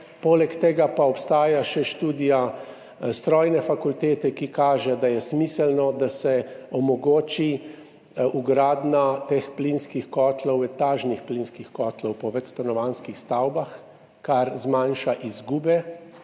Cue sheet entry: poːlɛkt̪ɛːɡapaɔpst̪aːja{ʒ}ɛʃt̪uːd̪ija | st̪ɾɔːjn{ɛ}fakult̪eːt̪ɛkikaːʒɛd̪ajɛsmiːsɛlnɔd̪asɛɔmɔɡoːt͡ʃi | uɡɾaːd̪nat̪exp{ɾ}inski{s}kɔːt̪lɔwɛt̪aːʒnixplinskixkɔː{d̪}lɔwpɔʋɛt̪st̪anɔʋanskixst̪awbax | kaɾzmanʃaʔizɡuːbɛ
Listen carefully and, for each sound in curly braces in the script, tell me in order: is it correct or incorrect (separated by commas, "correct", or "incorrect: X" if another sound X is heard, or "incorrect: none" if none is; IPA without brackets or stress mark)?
incorrect: ʃ, correct, incorrect: l, incorrect: x, incorrect: t̪